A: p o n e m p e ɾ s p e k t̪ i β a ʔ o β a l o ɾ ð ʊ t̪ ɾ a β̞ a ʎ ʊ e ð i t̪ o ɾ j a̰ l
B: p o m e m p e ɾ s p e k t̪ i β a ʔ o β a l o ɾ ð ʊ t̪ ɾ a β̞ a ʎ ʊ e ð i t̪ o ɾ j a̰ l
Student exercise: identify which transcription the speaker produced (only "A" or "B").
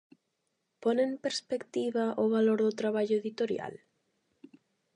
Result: A